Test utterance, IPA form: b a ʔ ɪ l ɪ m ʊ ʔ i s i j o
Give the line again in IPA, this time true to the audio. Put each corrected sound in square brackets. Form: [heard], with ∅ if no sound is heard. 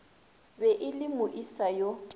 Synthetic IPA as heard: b [ɛ] ʔ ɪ l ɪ m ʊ ʔ i s [a] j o